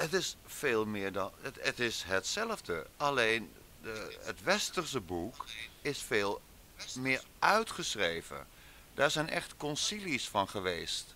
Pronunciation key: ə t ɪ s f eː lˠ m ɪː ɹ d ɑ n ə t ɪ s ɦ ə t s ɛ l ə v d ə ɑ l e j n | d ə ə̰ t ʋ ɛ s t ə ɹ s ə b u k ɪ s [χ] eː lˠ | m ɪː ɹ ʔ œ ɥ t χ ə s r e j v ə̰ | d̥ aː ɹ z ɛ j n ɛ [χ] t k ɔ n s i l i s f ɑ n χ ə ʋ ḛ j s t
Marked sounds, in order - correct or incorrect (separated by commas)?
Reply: incorrect, correct